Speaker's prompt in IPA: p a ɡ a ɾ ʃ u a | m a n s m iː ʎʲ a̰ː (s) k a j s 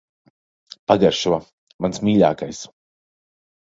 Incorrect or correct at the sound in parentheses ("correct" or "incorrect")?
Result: incorrect